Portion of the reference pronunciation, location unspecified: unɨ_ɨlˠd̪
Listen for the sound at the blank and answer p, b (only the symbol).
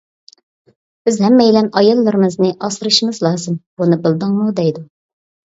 b